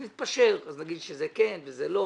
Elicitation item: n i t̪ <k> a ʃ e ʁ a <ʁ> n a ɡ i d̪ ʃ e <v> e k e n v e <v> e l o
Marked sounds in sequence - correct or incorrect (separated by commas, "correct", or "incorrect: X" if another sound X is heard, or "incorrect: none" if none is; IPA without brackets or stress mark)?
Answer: incorrect: p, incorrect: z, incorrect: z, incorrect: z